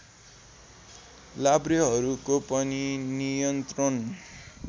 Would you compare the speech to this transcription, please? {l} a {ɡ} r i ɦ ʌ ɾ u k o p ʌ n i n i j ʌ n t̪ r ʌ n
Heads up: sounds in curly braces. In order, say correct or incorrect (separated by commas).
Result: correct, incorrect